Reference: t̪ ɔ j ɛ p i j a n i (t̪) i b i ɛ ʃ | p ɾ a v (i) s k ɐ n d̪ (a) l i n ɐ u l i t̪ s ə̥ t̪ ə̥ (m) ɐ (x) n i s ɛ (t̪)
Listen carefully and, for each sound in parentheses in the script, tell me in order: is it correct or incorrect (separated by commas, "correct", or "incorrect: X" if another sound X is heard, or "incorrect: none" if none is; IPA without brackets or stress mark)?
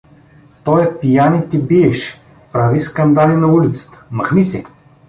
correct, correct, correct, correct, correct, incorrect: none